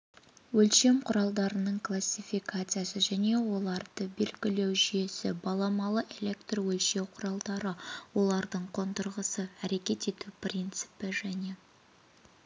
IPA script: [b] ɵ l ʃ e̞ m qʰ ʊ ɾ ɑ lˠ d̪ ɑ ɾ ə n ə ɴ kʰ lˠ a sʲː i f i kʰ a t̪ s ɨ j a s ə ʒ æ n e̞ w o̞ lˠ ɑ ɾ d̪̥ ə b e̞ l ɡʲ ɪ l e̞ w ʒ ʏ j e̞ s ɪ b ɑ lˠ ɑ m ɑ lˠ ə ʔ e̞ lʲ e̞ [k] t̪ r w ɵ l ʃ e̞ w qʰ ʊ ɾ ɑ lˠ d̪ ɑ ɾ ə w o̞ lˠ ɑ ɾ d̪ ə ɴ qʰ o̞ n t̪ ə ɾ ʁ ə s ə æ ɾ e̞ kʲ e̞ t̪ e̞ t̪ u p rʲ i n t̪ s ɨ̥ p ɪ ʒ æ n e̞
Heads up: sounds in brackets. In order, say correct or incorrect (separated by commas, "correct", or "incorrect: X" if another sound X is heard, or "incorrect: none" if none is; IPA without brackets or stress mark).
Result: incorrect: w, correct